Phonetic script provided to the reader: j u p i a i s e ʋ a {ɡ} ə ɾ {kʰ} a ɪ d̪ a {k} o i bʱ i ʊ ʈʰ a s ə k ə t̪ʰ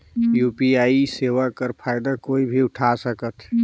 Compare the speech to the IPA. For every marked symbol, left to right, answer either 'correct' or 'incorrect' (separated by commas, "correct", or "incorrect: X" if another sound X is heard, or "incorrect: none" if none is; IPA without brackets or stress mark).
incorrect: k, incorrect: pʰ, correct